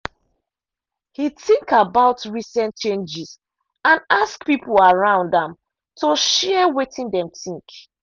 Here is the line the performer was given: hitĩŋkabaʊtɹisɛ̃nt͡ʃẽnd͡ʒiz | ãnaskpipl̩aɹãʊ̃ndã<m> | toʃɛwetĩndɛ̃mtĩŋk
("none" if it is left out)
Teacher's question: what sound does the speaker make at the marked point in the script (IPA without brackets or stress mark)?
m